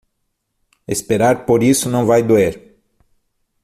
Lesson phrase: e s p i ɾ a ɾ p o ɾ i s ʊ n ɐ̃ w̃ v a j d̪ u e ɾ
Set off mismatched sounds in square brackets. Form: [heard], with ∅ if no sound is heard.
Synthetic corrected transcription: e s p [e] ɾ a ɾ p o ɾ i s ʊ n ɐ̃ w̃ v a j d̪ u e ɾ